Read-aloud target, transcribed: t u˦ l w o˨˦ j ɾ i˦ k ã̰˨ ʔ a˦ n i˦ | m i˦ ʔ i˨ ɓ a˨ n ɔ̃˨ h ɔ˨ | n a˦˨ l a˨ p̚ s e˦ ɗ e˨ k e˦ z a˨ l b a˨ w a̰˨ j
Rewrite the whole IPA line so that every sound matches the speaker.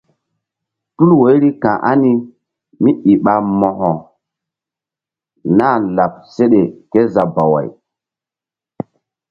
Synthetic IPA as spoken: t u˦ l w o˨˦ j ɾ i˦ k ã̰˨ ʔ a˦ n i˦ | m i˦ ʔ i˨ ɓ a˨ m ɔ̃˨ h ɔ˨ | n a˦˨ l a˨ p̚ s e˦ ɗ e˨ k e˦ z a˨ b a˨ w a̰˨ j